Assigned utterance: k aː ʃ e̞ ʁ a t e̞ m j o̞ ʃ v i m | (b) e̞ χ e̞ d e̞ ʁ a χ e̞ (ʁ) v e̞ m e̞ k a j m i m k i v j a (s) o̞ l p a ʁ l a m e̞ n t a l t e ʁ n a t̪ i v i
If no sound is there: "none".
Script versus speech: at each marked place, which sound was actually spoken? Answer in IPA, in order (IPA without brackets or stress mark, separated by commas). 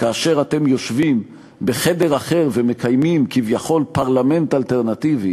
b, ʁ, χ